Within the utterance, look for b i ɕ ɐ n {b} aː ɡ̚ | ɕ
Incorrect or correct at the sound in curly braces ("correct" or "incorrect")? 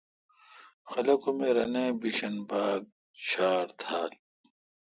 correct